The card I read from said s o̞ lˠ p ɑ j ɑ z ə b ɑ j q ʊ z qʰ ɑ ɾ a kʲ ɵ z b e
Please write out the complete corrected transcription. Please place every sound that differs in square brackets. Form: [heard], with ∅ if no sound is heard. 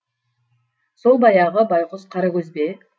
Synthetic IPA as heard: s o̞ lˠ [b] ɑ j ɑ [ʁ] ə b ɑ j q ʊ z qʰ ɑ ɾ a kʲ ɵ z b e